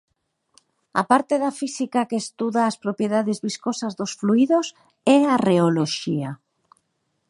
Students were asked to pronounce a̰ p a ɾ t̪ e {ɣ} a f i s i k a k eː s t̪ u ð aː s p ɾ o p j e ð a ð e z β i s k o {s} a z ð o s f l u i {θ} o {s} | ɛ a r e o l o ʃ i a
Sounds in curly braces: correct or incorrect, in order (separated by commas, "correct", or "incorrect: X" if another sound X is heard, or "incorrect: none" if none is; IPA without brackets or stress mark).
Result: incorrect: ð, correct, incorrect: ð, correct